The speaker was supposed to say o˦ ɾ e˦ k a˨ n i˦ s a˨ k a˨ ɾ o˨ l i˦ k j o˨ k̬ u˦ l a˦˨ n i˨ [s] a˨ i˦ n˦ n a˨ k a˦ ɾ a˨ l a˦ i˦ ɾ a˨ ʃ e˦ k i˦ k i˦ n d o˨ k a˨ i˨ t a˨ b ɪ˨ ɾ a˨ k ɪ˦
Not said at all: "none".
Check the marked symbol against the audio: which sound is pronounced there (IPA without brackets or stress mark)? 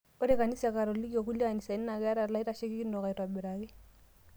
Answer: s